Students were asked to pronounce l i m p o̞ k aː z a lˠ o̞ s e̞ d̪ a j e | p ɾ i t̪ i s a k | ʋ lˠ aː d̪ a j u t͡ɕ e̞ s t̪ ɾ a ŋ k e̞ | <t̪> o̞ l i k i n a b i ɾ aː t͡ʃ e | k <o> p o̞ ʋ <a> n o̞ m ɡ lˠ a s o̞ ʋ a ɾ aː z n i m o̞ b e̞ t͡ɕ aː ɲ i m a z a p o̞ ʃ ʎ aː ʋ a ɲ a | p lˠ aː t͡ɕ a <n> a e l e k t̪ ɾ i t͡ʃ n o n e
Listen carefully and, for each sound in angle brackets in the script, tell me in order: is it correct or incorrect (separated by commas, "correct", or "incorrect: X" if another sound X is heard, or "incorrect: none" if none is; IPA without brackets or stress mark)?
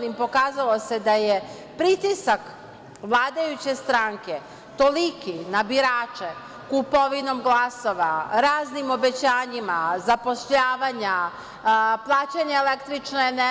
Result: correct, incorrect: u, incorrect: i, incorrect: ɲ